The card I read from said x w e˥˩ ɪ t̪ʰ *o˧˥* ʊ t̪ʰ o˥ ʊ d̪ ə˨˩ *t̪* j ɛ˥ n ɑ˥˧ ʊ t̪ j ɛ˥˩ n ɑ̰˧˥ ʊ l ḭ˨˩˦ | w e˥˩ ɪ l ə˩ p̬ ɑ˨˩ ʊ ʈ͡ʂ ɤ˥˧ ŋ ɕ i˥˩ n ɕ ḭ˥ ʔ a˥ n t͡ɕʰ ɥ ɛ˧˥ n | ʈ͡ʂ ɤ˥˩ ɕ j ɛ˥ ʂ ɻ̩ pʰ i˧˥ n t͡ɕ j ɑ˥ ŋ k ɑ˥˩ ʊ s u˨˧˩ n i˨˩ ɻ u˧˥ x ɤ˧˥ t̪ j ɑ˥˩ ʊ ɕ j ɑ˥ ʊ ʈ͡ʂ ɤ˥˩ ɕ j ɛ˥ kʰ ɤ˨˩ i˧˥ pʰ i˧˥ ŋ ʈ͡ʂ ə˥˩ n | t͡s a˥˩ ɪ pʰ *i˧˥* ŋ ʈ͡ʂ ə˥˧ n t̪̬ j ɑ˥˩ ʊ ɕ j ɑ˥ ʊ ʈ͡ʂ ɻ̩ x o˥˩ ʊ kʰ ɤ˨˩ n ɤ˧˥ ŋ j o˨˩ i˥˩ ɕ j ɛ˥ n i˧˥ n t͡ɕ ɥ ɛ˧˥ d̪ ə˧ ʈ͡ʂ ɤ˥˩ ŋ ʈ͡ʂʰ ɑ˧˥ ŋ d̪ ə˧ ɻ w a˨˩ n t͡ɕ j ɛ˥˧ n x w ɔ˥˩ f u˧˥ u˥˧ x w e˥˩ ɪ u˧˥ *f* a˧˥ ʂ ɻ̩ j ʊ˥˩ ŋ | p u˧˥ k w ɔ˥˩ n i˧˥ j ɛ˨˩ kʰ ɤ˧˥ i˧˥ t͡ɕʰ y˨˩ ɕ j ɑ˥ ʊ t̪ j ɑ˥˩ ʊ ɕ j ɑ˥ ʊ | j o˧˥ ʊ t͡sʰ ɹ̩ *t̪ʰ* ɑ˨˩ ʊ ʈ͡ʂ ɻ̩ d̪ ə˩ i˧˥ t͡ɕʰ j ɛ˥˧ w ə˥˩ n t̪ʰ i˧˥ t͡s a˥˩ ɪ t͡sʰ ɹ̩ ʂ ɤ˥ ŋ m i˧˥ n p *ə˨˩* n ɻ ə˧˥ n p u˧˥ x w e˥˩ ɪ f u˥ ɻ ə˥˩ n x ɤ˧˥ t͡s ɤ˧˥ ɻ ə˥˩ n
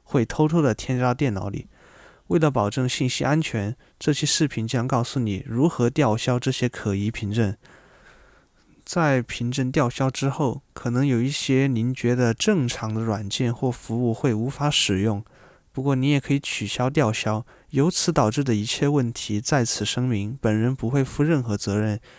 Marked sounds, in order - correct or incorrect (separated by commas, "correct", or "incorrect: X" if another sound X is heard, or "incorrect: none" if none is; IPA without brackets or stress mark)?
incorrect: o˥, incorrect: t̪ʰ, correct, correct, incorrect: t̪, correct